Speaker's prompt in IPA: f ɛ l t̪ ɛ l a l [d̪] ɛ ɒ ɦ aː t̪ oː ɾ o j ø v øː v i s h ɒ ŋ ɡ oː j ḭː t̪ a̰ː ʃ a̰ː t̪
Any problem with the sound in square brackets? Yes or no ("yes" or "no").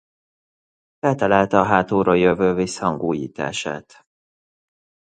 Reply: yes